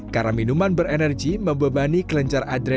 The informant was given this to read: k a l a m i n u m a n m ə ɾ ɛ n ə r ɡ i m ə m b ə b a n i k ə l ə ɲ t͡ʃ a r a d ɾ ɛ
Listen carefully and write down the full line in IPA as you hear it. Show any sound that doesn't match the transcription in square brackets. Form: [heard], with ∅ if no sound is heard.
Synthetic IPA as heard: k a [ɾ] a m i n u m a n [b] ə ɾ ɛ n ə r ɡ i m ə m b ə b a n i k ə l ə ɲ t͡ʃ a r a d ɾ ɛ